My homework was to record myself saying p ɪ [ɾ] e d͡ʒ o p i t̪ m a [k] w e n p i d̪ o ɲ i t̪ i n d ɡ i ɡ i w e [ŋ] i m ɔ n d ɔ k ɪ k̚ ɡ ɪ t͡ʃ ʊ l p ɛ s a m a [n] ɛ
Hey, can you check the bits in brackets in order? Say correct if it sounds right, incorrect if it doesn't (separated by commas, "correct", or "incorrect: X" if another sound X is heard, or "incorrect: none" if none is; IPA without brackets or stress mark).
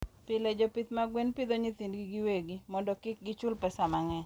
incorrect: l, incorrect: ɡ, incorrect: ɡ, incorrect: ŋ